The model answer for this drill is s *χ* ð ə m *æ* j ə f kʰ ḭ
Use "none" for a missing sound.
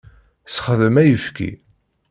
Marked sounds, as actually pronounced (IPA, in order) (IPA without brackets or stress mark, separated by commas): χ, æ